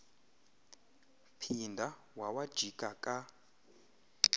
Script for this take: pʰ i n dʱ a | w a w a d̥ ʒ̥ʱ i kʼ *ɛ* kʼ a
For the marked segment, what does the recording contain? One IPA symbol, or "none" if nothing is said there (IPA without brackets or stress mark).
a